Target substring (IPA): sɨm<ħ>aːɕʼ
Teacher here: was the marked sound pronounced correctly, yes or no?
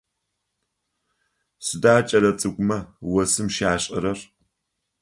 no